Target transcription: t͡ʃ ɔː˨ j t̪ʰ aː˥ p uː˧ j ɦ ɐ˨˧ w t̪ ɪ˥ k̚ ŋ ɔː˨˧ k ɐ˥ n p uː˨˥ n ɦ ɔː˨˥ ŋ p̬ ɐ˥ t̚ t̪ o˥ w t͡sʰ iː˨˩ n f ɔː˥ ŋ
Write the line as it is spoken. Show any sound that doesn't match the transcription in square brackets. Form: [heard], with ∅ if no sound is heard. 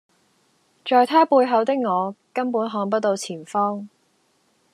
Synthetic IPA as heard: t͡ʃ ɔː˨ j t̪ʰ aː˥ p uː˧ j ɦ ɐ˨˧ w t̪ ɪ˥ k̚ ŋ ɔː˨˧ k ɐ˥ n p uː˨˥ n ɦ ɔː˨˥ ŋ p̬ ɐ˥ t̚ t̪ [o˧] w t͡sʰ iː˨˩ n f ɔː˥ ŋ